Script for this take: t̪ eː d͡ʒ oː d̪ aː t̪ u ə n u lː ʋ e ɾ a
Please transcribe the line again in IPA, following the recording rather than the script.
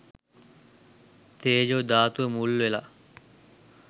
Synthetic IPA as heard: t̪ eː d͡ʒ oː d̪ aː t̪ u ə m u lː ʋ e l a